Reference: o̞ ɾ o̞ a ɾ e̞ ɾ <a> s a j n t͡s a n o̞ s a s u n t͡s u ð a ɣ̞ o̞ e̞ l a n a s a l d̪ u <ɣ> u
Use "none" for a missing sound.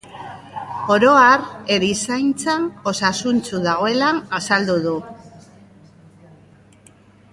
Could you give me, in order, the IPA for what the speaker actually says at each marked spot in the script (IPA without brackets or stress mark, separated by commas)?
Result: i, ð